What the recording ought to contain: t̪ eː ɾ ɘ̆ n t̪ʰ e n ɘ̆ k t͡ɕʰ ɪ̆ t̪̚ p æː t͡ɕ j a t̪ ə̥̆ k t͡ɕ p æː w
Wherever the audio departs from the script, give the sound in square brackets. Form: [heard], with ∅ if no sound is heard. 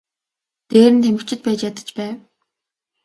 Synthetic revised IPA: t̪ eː ɾ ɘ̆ n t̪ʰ e [m] ɘ̆ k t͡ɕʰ ɪ̆ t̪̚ p æː t͡ɕ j a t̪ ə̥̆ [∅] t͡ɕ p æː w